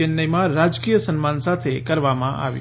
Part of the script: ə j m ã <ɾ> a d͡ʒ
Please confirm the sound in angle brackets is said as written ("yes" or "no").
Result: yes